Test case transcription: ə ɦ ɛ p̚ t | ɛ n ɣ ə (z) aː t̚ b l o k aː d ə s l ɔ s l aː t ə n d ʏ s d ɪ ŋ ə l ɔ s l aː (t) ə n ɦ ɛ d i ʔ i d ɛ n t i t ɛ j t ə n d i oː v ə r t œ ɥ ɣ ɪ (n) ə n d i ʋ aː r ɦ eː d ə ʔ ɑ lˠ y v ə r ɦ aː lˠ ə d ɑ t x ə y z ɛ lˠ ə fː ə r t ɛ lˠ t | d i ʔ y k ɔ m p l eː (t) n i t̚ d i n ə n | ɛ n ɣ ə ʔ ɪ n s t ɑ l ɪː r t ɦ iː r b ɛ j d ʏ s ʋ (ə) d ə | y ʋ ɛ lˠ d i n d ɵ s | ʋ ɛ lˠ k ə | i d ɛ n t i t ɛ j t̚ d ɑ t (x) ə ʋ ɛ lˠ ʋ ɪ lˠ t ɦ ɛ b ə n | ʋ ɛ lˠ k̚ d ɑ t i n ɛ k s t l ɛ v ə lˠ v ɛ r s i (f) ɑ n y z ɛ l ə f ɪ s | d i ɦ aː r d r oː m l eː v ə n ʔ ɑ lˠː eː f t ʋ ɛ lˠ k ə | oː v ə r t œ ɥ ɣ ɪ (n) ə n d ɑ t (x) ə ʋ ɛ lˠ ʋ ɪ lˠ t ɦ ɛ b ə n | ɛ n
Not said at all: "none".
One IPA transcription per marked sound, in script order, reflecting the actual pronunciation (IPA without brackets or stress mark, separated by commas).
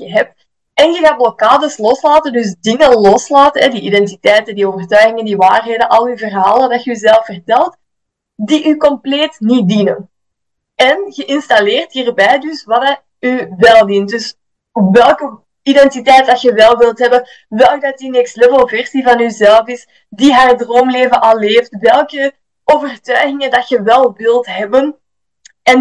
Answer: ɣ, t, ŋ, t, ɑ, x, v, ŋ, x